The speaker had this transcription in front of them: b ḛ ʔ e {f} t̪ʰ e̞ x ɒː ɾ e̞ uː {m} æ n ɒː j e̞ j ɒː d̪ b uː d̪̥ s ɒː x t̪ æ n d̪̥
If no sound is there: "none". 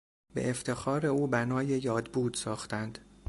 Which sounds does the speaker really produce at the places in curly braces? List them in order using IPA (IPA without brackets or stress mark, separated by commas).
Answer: f, b